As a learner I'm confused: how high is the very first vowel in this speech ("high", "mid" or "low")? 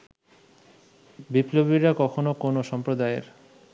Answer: high